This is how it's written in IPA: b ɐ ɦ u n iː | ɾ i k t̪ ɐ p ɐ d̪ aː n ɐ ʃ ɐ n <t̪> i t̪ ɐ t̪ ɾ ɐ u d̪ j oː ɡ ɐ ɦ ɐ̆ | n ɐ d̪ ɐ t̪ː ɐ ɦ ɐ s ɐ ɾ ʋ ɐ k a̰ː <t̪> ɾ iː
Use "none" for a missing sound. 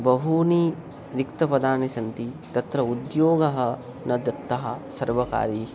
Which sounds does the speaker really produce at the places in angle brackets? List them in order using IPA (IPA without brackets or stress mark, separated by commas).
t̪, none